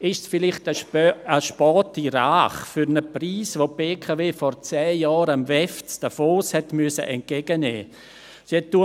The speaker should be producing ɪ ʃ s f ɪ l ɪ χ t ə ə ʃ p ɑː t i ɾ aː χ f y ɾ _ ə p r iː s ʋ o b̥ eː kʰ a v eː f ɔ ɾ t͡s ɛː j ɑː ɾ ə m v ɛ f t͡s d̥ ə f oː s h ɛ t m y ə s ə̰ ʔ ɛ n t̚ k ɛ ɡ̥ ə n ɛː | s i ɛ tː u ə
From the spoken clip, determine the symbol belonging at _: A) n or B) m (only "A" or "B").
A